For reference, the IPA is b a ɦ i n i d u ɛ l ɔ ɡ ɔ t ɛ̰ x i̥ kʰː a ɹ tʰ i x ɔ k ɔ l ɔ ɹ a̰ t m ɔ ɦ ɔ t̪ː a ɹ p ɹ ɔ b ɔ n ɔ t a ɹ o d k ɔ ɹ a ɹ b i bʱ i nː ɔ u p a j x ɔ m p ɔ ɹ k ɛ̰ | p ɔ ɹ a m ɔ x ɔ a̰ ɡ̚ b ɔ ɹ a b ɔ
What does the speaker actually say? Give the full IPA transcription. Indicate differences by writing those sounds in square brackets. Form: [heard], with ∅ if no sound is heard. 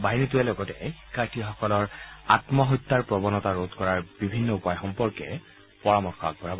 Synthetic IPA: b a ɦ i n i [t] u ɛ l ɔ ɡ ɔ t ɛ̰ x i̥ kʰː a ɹ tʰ i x ɔ k ɔ l ɔ ɹ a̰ t m ɔ ɦ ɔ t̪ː a ɹ p ɹ ɔ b ɔ n ɔ t a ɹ o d k ɔ ɹ a ɹ b i bʱ i nː ɔ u p a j x ɔ m p ɔ ɹ k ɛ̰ | p ɔ ɹ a m ɔ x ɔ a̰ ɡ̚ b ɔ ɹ a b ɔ

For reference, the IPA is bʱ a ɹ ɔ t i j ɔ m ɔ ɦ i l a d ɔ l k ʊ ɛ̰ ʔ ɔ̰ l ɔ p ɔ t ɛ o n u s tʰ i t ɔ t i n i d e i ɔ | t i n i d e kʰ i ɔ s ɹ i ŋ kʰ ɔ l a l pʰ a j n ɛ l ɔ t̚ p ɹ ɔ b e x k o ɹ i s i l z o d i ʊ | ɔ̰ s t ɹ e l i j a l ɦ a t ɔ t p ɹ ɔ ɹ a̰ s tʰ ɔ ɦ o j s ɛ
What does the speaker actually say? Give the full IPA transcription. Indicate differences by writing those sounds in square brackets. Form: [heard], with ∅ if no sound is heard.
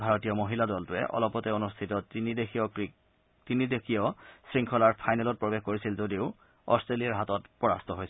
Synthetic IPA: bʱ a ɹ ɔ t i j ɔ m [o] ɦ i l a d ɔ l [t] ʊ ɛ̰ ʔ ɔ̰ l ɔ p ɔ t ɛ o n u s tʰ i t ɔ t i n i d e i ɔ | t i n i d e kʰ i ɔ s ɹ i ŋ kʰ ɔ l a [ɹ] pʰ a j n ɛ l ɔ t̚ p ɹ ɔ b e x k o ɹ i s i l z o d i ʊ | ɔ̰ s t ɹ e l i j a [ɹ] ɦ a t ɔ t p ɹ ɔ ɹ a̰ s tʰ ɔ ɦ o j s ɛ

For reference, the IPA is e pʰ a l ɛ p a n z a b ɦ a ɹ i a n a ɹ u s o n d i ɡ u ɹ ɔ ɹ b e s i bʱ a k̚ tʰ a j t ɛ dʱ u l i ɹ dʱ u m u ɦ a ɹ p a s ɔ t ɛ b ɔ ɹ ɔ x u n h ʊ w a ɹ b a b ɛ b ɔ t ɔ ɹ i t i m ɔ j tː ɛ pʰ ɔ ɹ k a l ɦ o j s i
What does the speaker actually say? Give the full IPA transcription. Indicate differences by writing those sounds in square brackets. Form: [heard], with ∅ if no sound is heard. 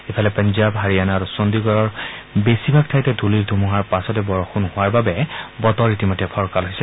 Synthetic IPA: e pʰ a l ɛ p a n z a b ɦ a ɹ i a n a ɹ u s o n d i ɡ [ɔ] ɹ ɔ ɹ b e s i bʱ a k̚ tʰ a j t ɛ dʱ u l i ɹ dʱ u m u ɦ a ɹ p a s ɔ t ɛ b ɔ ɹ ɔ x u n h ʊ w a ɹ b a b ɛ b ɔ t ɔ ɹ i t i m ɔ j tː ɛ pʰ ɔ ɹ k a l ɦ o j s [ɛ]

